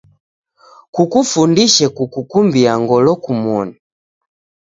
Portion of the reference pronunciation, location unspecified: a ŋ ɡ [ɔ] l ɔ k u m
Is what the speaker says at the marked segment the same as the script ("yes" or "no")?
yes